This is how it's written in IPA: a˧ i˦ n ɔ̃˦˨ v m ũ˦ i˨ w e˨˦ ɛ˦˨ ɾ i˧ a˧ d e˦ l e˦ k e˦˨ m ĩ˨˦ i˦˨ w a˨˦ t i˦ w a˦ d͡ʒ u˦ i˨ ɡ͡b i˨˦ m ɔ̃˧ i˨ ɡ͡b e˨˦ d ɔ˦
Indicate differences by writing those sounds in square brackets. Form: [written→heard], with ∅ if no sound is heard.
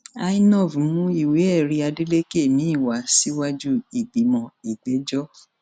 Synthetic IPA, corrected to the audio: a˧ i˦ n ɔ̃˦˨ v m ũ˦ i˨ w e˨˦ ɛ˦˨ ɾ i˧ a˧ d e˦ l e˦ k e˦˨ m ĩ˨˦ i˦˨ w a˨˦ [t→s] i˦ w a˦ d͡ʒ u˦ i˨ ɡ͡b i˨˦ m ɔ̃˧ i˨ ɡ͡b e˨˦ [d→d͡ʒ] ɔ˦